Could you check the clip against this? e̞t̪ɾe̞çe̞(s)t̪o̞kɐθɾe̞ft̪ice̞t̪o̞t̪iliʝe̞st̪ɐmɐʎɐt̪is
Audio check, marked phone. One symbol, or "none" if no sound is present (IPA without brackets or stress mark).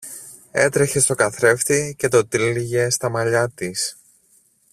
s